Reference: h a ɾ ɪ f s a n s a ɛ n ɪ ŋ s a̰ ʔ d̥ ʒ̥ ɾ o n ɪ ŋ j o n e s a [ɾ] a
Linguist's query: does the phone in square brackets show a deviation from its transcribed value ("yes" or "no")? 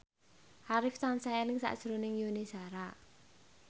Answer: no